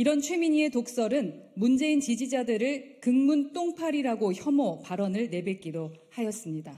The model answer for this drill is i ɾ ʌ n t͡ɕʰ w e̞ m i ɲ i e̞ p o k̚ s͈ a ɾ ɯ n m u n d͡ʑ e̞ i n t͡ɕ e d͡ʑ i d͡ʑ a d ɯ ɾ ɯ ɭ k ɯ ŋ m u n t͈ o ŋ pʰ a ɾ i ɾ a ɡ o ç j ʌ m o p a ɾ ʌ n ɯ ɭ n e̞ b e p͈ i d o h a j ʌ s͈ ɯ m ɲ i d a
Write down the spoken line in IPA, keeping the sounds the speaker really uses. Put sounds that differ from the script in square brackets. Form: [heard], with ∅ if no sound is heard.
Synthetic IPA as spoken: i ɾ ʌ n t͡ɕʰ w e̞ m i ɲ i e̞ [t] o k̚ s͈ [ʌ] ɾ ɯ n m u n d͡ʑ e̞ i n t͡ɕ [i] d͡ʑ i d͡ʑ a d ɯ ɾ ɯ ɭ k ɯ ŋ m u n t͈ o ŋ pʰ a ɾ i ɾ a ɡ o ç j ʌ m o p a ɾ ʌ n ɯ ɭ n e̞ b e [k͈] i d o h a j ʌ s͈ ɯ m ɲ i d a